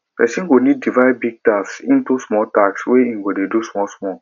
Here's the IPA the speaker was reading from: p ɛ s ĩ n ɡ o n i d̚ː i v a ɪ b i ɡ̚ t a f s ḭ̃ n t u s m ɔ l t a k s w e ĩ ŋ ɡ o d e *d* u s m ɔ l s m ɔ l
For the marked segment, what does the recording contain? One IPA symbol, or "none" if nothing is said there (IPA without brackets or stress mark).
d